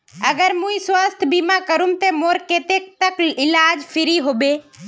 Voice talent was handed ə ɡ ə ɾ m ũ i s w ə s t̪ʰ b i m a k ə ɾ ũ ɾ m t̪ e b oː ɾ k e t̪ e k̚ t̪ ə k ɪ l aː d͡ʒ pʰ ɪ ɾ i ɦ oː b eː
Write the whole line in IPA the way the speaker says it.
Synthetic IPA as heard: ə ɡ ə ɾ m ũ i s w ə s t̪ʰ b i m a k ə ɾ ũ m t̪ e m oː ɾ k e t̪ e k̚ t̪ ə k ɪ l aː d͡ʒ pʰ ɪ ɾ i ɦ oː b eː